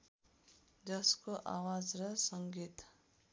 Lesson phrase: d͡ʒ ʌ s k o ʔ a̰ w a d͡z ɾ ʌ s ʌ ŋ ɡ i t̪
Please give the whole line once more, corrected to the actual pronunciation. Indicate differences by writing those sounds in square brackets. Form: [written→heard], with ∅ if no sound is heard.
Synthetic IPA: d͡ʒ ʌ s k o ʔ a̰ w a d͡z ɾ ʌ s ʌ ŋ ɡ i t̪